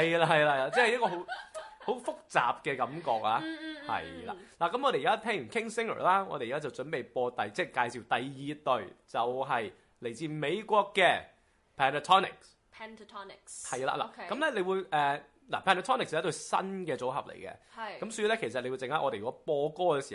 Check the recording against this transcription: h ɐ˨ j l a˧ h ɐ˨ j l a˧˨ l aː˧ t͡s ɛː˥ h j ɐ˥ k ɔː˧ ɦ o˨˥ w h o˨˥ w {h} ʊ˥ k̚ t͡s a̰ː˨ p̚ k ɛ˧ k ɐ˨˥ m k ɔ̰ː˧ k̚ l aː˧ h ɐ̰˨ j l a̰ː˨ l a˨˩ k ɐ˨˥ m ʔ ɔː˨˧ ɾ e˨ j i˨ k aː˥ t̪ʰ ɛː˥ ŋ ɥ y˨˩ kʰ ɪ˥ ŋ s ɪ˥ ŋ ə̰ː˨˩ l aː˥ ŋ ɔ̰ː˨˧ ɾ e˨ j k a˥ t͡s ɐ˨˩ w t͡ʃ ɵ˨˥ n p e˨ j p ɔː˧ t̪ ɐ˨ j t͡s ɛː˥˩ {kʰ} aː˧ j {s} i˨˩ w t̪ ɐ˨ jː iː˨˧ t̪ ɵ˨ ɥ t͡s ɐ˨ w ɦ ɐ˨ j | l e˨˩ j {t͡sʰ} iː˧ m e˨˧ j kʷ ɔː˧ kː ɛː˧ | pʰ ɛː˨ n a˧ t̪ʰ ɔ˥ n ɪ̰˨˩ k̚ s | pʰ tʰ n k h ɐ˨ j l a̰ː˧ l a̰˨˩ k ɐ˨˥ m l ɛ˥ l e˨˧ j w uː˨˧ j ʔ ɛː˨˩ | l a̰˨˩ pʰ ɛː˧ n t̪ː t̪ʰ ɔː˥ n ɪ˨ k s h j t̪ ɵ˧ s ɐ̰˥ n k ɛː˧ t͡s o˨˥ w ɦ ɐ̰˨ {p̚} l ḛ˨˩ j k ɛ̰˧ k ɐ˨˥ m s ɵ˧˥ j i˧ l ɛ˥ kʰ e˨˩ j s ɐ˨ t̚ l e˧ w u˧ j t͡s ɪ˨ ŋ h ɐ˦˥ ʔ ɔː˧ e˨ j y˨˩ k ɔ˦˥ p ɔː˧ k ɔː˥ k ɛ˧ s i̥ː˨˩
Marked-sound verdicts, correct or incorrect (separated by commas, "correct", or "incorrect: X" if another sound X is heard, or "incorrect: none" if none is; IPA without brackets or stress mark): incorrect: f, incorrect: k, correct, incorrect: t͡s, correct